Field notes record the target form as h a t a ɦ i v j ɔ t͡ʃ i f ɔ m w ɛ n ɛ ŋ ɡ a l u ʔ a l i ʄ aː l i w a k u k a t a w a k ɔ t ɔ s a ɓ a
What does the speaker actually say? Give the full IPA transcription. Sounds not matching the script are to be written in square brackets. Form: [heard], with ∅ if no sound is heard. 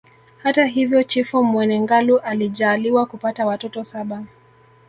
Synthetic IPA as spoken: h a t a ɦ i v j ɔ t͡ʃ i f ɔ m w ɛ n ɛ ŋ ɡ a l u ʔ a l i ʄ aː l i w a k u [p] a t a w a [t] ɔ t ɔ s a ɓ a